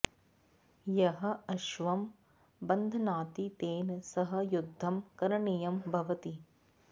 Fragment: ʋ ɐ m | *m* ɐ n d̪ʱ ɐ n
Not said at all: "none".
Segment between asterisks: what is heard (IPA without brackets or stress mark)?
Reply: b